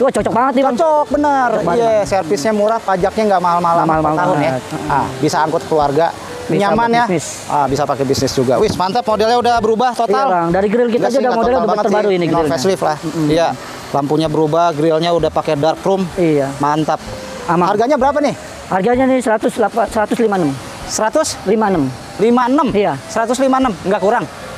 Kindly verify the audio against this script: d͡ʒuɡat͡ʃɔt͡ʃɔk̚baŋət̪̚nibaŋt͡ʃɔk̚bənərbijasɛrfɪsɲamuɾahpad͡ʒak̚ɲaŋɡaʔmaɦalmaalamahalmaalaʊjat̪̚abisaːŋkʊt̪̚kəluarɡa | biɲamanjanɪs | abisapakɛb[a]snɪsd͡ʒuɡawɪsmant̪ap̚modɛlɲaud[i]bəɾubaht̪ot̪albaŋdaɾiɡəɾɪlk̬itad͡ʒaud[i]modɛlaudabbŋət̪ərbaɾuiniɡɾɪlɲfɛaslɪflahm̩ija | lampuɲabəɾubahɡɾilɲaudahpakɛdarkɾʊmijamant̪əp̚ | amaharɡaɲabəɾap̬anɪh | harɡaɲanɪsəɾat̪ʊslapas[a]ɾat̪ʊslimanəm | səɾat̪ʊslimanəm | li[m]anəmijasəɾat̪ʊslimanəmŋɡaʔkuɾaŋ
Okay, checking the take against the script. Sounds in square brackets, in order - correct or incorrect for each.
incorrect: i, incorrect: a, incorrect: a, incorrect: ə, correct

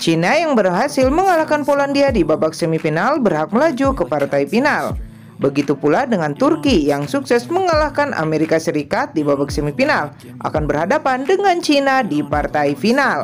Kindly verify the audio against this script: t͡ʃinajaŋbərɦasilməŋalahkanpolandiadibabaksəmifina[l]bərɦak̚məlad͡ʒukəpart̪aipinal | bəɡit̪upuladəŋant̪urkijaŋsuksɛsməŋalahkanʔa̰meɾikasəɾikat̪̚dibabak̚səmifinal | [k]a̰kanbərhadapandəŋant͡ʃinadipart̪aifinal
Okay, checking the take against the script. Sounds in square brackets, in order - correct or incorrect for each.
correct, incorrect: ʔ

